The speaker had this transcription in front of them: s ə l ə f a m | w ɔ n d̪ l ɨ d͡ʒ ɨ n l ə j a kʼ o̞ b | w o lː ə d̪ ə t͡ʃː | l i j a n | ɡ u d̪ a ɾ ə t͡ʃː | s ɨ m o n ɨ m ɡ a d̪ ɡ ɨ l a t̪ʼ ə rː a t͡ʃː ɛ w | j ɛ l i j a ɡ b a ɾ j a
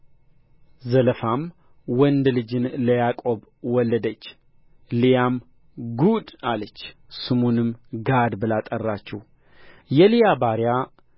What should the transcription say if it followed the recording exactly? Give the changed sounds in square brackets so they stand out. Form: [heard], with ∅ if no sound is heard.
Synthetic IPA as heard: [z] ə l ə f a m | w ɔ n d̪ l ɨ d͡ʒ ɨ n l ə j a kʼ o̞ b | w [ɔ] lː ə d̪ ə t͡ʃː | l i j a [m] | ɡ u d̪ a [l] ə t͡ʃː | s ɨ m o n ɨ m ɡ a d̪ [b] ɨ l a t̪ʼ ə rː a t͡ʃː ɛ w | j ɛ l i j a [∅] b a ɾ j a